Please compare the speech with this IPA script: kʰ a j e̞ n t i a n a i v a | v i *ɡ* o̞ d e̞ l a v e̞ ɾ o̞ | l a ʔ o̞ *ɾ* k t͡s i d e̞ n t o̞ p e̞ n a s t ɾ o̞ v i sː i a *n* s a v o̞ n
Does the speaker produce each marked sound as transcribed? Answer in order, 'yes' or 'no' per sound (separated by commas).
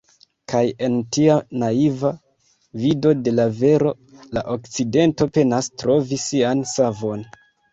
no, no, yes